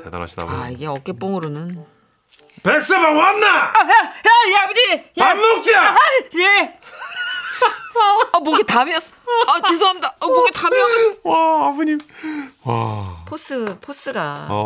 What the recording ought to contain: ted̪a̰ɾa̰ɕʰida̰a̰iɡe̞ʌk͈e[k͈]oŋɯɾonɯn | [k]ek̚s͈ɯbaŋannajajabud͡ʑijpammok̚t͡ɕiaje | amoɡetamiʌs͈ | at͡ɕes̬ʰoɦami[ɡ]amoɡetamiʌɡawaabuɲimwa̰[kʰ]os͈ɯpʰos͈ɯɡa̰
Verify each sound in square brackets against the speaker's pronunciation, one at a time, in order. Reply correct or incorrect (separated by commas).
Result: incorrect, incorrect, incorrect, incorrect